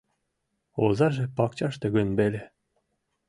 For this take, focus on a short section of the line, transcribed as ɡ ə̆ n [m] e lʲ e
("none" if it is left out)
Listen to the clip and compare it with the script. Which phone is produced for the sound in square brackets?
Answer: b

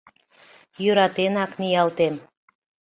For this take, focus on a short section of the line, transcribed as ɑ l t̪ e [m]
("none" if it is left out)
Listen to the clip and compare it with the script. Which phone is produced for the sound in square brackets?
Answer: m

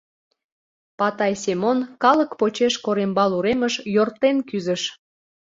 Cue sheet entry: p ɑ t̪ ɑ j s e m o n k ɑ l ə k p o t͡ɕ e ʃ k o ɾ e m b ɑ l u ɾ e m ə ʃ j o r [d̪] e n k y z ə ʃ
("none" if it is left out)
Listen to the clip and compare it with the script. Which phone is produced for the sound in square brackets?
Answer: t̪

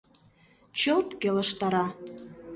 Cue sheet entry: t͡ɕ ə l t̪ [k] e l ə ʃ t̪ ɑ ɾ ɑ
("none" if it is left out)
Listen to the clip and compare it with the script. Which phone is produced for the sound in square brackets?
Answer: k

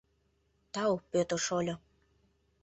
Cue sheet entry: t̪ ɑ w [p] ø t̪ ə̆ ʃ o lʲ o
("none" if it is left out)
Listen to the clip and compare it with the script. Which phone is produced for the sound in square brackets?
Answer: p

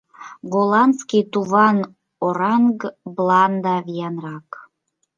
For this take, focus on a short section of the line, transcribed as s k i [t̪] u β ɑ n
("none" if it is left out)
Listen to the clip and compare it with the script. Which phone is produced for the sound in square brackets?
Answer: t̪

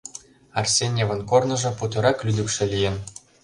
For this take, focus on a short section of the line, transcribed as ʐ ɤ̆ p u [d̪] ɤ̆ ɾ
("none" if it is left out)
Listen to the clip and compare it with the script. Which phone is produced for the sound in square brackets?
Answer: t̪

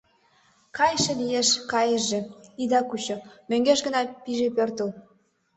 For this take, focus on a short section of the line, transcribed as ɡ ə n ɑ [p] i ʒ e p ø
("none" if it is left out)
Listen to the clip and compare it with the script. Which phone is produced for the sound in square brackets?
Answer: p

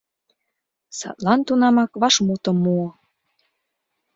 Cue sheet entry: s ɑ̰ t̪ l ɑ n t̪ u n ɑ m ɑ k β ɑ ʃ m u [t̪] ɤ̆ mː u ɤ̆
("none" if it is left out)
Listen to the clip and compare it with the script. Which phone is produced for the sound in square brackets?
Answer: t̪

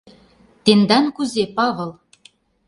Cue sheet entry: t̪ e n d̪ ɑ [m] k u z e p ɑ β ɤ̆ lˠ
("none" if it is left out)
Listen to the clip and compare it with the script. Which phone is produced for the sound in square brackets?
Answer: n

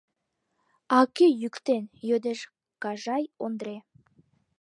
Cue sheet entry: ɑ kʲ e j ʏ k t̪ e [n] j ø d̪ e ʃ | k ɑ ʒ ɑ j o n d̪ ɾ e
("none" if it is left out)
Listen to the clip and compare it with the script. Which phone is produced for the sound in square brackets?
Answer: n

